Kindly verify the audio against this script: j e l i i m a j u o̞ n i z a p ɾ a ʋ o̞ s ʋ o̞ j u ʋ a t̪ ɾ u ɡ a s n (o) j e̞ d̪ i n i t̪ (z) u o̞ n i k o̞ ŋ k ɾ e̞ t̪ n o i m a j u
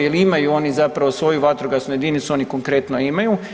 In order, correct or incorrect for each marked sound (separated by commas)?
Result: incorrect, incorrect